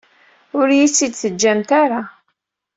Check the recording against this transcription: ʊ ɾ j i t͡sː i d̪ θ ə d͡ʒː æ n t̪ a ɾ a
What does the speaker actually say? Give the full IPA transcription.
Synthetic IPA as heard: ʊ ɾ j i t͡sː i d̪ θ ə d͡ʒː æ m t̪ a ɾ a